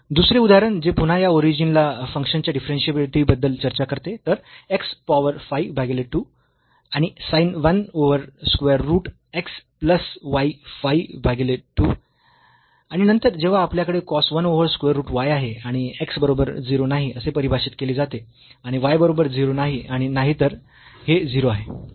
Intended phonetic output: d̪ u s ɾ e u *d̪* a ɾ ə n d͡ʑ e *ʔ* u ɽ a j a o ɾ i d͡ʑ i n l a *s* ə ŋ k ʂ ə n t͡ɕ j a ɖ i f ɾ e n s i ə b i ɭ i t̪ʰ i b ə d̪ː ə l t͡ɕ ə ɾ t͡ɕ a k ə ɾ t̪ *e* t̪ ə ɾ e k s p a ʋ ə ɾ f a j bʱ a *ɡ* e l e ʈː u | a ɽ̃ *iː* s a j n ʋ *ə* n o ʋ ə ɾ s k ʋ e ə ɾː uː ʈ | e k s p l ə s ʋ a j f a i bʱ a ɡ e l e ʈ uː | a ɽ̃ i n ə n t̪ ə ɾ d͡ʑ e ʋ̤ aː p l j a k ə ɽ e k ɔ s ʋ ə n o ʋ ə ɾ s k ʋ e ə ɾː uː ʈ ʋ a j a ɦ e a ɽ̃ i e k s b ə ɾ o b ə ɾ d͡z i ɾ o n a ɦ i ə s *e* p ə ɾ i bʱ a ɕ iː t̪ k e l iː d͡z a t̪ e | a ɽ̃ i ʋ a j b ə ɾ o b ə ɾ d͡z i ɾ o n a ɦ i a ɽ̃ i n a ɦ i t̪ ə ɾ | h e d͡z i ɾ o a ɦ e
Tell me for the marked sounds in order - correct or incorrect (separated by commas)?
correct, incorrect, incorrect, correct, correct, incorrect, correct, correct